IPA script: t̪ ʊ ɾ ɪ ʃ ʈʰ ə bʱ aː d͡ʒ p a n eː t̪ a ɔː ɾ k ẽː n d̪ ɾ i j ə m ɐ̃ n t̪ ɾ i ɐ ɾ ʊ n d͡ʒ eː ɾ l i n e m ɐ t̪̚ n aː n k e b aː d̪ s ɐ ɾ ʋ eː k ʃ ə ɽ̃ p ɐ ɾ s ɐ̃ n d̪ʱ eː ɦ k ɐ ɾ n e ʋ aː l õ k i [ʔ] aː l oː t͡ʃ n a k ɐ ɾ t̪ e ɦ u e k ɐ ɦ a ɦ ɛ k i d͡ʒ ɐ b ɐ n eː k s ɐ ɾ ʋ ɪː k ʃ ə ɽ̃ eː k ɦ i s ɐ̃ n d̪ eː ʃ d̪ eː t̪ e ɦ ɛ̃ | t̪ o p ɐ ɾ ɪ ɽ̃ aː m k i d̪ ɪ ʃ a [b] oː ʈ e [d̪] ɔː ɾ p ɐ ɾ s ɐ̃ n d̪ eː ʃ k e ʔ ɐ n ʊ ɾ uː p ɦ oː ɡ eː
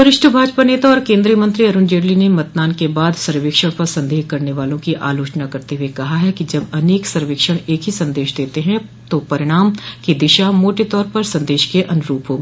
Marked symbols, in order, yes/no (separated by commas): yes, no, no